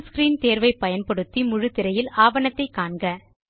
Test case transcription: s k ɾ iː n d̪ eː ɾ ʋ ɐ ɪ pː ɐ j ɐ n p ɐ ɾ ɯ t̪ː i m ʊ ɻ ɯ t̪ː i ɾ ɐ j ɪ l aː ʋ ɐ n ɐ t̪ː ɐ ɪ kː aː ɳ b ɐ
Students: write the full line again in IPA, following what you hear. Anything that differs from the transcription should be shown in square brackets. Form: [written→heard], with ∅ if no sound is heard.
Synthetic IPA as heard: s k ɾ iː n [d̪→t̪] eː ɾ ʋ ɐ ɪ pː ɐ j ɐ n p ɐ [ɾ→ɽ] ɯ t̪ː i m ʊ ɻ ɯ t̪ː [i→ɪ] ɾ ɐ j ɪ l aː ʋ ɐ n ɐ t̪ː ɐ ɪ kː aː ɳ [b→ɡ] ɐ